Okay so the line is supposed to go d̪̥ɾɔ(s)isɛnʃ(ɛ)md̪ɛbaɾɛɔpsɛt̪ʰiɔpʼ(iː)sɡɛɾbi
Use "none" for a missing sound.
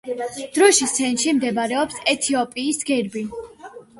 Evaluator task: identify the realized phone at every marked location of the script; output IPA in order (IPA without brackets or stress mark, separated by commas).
ʃ, i, iː